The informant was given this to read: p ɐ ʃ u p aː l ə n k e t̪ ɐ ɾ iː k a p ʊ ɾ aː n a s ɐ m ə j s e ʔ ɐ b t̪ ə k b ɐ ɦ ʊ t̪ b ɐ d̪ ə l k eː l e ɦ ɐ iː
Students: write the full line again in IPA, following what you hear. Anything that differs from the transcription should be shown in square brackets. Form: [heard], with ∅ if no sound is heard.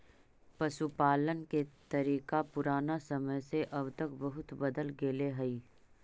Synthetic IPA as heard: p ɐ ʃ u p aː l ə n k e t̪ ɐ ɾ iː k a p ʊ ɾ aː n a s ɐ m ə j s e ʔ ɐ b t̪ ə k b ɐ ɦ ʊ t̪ b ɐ d̪ ə l [ɡ] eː l e ɦ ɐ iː